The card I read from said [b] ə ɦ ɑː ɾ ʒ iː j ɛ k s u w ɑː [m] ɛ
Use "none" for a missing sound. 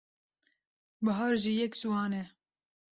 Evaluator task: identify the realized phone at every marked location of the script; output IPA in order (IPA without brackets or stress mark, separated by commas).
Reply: b, n